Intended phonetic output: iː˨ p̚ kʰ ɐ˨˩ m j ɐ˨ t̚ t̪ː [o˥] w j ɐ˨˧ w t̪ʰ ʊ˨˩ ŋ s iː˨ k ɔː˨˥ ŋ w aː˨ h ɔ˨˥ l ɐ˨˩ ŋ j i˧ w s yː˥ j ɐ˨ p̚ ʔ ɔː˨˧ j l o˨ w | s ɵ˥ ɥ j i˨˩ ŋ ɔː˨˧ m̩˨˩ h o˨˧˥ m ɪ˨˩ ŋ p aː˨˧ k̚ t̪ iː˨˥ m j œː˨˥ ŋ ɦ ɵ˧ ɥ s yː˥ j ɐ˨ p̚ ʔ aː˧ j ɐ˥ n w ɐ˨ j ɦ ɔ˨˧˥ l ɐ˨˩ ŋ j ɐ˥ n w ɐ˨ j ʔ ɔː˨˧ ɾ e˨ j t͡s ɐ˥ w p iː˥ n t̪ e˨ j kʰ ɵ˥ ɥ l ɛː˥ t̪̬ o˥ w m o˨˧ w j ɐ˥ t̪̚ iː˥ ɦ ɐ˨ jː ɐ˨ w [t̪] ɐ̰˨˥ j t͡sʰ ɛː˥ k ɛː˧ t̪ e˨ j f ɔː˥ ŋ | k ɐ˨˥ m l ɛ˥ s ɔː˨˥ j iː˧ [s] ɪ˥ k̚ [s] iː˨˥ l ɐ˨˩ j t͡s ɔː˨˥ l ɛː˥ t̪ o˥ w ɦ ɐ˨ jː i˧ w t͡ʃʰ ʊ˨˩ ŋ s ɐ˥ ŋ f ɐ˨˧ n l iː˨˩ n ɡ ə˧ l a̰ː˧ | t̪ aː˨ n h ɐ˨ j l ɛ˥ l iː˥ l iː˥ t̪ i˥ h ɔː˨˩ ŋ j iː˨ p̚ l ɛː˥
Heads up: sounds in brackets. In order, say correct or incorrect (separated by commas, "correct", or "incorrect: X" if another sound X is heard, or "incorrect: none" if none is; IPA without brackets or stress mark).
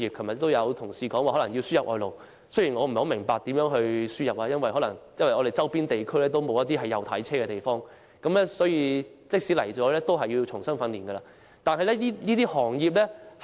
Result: correct, incorrect: t̪ʰ, incorrect: t͡s, correct